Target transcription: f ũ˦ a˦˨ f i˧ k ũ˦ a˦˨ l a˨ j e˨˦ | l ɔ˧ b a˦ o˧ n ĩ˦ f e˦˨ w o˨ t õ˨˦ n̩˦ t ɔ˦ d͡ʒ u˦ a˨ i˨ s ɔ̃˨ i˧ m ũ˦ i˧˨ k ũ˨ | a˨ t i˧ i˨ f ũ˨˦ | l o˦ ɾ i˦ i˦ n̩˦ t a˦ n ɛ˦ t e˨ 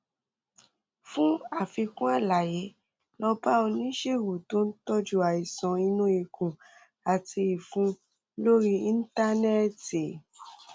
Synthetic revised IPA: f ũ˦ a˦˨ f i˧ k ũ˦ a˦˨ l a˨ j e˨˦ | l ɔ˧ b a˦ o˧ n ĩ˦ ʃ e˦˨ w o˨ t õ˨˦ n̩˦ t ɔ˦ d͡ʒ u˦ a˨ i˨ s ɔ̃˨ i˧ n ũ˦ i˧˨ k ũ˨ | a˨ t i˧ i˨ f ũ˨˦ | l o˦ ɾ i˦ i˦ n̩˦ t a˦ n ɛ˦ t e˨